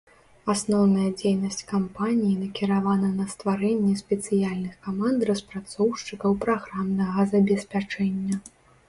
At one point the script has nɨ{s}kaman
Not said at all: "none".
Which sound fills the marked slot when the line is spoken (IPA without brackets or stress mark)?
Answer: x